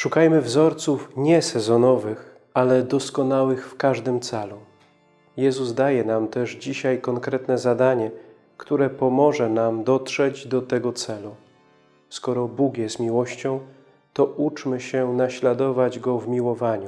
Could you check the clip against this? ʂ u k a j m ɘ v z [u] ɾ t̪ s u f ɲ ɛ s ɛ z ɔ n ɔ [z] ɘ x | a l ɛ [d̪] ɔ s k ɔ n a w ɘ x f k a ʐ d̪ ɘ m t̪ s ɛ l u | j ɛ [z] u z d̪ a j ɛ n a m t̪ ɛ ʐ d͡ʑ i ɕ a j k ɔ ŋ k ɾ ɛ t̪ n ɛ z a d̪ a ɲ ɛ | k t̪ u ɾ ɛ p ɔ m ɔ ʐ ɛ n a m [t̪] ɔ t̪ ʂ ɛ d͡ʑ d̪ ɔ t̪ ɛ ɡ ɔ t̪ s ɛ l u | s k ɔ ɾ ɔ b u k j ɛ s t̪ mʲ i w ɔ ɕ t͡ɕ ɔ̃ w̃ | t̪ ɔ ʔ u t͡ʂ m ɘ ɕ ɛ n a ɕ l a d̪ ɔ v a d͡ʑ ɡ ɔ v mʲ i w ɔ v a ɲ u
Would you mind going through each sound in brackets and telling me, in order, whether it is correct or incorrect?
incorrect: ɔ, incorrect: v, correct, correct, incorrect: d̪

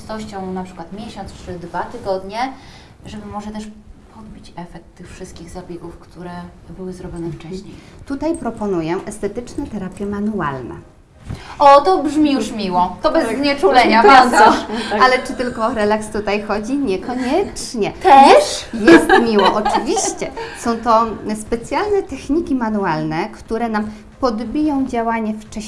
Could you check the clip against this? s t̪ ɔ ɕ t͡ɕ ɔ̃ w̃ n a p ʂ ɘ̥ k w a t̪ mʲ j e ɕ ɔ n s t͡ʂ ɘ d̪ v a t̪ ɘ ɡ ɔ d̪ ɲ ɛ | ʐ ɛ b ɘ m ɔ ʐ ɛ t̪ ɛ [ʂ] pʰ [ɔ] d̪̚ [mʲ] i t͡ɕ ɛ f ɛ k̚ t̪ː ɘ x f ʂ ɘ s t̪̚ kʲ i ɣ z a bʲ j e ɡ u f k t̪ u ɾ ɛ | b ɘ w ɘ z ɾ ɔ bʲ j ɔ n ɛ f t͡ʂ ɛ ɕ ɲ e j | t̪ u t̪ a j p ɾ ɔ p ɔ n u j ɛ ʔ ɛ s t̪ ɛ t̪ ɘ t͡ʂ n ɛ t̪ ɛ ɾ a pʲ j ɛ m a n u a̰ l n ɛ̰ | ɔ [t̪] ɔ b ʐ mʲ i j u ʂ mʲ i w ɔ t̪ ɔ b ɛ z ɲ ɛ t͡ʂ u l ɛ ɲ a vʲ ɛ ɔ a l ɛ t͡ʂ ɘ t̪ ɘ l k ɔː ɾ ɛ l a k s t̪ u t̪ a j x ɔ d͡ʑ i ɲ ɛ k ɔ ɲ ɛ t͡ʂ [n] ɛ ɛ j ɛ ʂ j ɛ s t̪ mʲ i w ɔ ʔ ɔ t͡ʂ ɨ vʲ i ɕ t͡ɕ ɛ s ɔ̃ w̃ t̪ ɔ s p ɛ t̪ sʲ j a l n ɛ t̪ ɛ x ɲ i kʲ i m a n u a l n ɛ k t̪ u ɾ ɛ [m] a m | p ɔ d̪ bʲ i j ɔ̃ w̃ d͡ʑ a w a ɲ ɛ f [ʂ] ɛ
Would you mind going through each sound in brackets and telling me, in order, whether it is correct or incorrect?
correct, correct, incorrect: bʲ, correct, incorrect: ɲ, incorrect: n, incorrect: t͡ʂ

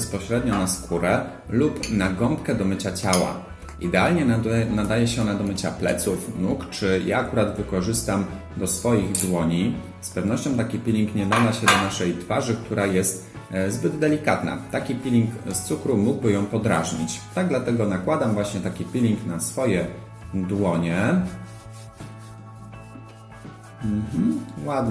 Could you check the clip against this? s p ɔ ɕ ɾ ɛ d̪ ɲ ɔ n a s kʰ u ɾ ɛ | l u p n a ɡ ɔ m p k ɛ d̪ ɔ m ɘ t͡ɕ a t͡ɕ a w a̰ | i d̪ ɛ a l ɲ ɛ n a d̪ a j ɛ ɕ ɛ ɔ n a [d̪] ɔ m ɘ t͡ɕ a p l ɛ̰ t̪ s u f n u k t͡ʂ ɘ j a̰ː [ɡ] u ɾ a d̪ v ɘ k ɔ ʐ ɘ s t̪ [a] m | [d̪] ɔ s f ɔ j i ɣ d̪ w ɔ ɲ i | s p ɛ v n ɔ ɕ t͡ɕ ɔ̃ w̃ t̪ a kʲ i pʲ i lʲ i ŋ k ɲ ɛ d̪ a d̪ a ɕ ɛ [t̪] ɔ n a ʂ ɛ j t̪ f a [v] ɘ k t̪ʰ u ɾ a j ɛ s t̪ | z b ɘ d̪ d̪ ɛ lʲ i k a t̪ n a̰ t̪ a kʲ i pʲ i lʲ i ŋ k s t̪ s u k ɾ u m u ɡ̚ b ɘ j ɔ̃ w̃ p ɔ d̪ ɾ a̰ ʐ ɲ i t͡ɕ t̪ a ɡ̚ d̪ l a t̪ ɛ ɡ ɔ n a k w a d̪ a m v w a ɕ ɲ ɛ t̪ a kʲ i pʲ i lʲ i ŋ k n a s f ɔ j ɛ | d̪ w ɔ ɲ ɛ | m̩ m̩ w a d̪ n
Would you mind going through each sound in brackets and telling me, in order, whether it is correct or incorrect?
correct, incorrect: k, correct, correct, incorrect: d̪, incorrect: ʐ

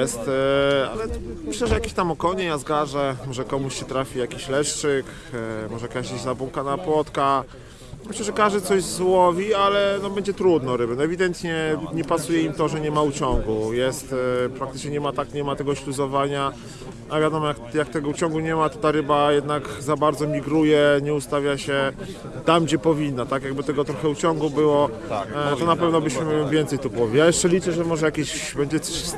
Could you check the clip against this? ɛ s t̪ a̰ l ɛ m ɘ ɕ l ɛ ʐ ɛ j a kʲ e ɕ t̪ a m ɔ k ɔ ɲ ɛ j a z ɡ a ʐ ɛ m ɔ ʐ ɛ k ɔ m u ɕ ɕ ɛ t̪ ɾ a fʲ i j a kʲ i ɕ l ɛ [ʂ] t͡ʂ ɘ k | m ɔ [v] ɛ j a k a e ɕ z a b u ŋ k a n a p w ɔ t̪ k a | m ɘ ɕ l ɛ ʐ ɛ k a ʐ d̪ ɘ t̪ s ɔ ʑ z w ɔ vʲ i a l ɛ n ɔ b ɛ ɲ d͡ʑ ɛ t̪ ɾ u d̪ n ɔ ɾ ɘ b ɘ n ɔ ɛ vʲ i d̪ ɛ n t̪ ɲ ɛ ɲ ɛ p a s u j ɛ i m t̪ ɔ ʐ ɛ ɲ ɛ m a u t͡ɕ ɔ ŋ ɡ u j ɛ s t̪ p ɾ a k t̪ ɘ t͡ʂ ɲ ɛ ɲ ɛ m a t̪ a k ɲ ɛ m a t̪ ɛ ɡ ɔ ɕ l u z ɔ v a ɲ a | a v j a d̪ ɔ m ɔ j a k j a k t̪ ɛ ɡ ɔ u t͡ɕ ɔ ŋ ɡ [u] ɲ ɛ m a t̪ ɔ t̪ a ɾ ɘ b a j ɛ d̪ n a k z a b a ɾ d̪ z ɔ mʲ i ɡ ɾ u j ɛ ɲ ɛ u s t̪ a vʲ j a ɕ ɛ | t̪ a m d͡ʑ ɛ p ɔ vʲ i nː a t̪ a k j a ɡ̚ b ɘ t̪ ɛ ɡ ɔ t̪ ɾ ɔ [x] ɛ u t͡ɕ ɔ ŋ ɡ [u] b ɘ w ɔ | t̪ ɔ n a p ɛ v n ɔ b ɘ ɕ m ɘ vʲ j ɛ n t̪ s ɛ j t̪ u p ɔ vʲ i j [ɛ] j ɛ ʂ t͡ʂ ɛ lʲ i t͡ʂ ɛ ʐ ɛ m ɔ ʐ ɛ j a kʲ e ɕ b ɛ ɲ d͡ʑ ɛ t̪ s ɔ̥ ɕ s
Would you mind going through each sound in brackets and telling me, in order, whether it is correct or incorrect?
correct, incorrect: ʐ, correct, correct, correct, incorrect: a

